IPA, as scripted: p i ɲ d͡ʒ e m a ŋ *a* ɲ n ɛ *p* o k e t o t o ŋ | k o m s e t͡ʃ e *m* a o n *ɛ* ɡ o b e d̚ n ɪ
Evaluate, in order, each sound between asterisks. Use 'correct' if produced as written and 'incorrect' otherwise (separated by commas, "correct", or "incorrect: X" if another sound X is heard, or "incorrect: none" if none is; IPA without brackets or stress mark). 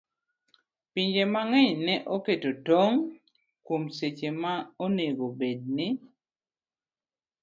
incorrect: ɛ, incorrect: ʔ, correct, incorrect: e